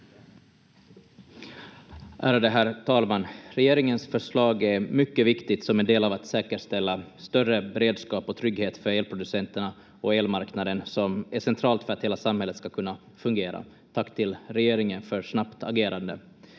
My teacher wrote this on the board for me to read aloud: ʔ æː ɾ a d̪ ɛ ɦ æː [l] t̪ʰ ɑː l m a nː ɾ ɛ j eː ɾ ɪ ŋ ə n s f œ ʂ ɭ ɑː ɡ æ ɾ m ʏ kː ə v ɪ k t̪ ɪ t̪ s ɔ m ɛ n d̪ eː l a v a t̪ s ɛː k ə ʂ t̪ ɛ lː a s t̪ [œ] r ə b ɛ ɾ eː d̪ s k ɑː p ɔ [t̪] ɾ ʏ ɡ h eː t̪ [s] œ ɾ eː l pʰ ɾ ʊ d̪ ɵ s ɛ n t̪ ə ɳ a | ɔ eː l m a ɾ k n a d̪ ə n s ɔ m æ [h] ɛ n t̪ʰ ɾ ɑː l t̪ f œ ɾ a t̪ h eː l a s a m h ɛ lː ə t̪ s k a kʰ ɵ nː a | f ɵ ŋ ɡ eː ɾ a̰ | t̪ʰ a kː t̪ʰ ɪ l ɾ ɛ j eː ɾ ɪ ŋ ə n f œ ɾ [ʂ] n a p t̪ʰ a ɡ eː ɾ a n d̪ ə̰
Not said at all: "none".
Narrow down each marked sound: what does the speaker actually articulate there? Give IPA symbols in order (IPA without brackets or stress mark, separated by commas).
ɾ, œ, t̪ʰ, f, ʂ, ʂ